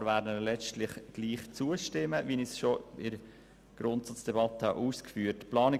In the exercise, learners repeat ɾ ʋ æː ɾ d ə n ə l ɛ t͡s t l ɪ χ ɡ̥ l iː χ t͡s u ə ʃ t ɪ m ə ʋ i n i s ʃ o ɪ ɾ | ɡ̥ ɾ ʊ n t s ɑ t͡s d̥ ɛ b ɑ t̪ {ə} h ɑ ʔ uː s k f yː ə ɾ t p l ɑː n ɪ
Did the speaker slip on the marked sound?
no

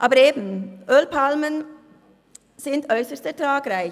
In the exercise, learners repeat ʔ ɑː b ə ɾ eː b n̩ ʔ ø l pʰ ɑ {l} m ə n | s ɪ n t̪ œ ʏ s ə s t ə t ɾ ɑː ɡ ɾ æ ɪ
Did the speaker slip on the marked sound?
no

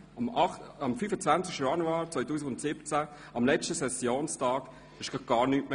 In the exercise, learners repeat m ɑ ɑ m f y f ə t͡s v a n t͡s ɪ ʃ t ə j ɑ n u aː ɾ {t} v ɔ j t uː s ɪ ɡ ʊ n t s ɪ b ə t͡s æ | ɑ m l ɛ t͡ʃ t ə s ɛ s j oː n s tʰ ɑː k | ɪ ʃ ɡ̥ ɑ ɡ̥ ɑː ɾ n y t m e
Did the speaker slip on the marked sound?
yes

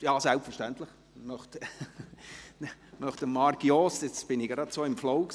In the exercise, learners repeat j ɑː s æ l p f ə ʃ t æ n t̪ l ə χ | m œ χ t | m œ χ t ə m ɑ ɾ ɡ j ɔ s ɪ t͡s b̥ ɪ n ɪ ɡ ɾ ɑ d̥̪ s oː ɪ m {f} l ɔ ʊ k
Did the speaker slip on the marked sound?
no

